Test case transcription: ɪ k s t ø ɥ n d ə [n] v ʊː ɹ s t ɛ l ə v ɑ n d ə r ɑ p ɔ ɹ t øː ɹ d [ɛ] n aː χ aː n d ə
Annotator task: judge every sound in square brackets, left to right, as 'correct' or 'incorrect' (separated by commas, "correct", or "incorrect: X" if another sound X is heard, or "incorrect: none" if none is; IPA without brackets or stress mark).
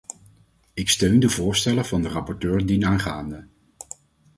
incorrect: none, incorrect: i